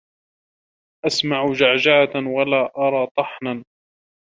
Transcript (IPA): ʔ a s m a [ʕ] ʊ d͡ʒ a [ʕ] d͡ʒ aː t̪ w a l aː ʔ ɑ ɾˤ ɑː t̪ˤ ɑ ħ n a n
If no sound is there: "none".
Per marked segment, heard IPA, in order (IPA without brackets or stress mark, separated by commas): ʕ, ʕ